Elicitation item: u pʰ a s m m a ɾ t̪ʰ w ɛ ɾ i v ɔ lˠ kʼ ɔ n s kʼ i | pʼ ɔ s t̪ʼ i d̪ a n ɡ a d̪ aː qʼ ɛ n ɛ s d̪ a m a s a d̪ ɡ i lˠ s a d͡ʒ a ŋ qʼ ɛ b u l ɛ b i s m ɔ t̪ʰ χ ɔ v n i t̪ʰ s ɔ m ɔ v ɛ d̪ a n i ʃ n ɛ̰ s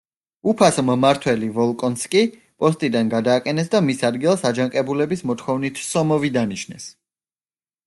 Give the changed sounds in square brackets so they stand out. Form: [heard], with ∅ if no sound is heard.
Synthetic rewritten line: u pʰ a s m m a ɾ t̪ʰ w ɛ [l] i v ɔ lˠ kʼ ɔ n s kʼ i | pʼ ɔ s t̪ʼ i d̪ a n ɡ a d̪ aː qʼ ɛ n ɛ s d̪ a m [i] s a d̪ ɡ i lˠ s a d͡ʒ a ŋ qʼ ɛ b u l ɛ b i s m ɔ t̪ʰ χ ɔ v n i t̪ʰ s ɔ m ɔ v [i] d̪ a n i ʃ n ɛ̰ s